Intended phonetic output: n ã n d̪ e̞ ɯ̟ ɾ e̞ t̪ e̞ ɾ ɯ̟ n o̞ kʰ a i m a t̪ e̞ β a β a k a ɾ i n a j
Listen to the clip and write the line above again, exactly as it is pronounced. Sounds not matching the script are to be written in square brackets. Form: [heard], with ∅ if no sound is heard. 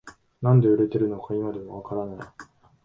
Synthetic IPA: n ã n d̪ e̞ ɯ̟ ɾ e̞ t̪ e̞ ɾ ɯ̟ n o̞ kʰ a i m a [d̪] e̞ β a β a k a ɾ [a] n a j